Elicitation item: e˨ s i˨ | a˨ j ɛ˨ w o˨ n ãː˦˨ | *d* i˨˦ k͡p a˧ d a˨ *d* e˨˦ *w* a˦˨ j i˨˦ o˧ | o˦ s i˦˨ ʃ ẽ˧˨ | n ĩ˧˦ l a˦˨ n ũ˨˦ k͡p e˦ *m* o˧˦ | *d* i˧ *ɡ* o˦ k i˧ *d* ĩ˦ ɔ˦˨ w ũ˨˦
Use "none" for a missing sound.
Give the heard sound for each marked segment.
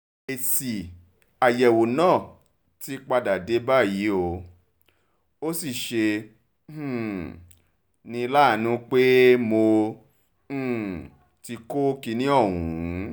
t, d, b, m, t, k, n

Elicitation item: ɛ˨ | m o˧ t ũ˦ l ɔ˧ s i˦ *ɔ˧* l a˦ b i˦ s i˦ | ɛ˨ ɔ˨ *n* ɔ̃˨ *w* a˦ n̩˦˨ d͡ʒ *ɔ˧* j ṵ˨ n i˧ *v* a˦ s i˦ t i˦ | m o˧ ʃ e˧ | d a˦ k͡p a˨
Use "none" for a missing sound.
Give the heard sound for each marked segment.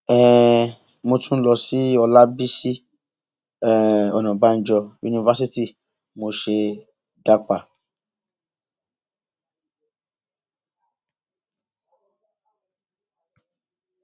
ɔ˧, n, b, ɔ˧, v

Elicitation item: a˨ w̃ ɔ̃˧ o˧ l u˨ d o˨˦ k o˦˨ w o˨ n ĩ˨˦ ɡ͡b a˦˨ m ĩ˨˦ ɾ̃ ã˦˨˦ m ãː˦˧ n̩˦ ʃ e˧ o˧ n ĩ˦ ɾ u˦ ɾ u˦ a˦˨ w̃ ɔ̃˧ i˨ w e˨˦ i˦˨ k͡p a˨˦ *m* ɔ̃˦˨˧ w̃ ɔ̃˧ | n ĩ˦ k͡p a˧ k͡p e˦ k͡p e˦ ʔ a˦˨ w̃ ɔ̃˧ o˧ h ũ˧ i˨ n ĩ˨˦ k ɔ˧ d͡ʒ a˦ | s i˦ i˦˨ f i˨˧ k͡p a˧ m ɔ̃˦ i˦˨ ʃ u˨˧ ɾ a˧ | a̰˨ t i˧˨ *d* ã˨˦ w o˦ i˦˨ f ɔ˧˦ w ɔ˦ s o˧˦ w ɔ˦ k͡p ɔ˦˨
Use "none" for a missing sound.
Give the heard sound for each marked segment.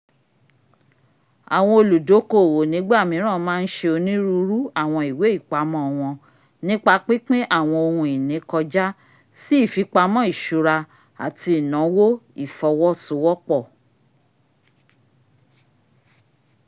m, n

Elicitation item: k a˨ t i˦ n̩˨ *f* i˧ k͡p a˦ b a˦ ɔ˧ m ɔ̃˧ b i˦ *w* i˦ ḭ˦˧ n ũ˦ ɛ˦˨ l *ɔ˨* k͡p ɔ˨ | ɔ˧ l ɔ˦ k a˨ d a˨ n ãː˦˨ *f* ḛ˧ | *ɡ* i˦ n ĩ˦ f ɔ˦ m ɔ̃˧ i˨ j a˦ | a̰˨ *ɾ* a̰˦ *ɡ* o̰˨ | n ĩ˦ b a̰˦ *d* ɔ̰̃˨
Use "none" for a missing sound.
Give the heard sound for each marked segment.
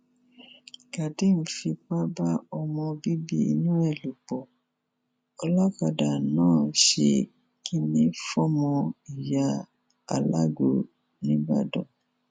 f, b, u˨, ʃ, k, l, ɡ, d

